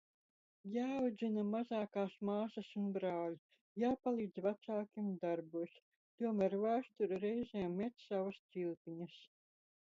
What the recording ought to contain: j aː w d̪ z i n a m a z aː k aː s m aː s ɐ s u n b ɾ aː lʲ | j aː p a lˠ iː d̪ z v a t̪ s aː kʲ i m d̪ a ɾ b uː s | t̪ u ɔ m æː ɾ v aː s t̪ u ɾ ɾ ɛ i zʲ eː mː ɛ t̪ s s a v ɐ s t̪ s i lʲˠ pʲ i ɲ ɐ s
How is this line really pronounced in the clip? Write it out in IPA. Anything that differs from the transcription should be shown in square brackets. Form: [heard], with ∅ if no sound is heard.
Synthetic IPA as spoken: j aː w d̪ z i n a m a z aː k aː s m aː s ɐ s u n b ɾ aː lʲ | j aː p a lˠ iː d̪ z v a t̪ s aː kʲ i m d̪ a ɾ b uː s | t̪ u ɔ m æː ɾ v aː s t̪ u ɾ ɾ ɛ [j] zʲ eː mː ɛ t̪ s s a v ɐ s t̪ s i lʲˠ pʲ i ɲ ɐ s